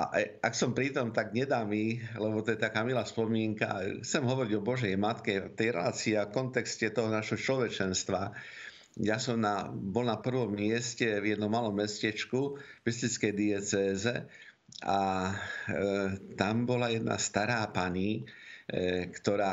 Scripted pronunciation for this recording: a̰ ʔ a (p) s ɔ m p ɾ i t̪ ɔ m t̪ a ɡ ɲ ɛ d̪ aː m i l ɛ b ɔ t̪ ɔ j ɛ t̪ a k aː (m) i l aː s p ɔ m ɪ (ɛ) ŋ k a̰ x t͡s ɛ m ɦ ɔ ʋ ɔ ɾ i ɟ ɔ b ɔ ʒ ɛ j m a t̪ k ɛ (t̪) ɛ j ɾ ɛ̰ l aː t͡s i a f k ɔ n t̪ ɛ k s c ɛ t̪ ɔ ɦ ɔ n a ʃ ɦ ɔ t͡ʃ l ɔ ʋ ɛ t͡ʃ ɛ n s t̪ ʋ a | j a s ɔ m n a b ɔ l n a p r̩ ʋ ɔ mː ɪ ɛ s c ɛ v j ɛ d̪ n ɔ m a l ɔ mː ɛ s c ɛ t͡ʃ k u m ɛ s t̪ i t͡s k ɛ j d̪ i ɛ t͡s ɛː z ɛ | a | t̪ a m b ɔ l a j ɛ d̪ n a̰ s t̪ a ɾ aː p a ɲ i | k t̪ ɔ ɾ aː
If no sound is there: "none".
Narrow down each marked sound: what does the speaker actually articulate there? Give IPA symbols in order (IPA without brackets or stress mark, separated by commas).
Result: k, m, ɛ, t̪